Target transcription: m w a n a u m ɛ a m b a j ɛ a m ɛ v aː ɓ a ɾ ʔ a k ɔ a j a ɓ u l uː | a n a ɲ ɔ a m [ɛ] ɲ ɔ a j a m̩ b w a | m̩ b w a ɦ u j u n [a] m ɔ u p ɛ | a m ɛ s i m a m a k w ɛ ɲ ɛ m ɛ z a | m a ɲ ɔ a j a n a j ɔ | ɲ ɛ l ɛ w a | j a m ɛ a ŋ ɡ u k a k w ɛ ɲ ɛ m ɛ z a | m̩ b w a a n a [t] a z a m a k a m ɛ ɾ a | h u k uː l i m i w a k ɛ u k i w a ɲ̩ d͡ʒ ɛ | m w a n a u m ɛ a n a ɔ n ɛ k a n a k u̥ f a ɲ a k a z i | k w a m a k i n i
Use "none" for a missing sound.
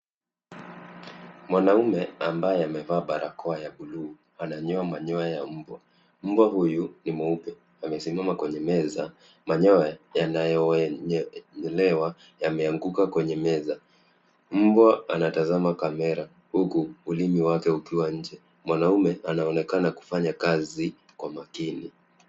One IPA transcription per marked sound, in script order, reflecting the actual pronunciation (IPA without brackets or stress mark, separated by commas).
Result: a, i, t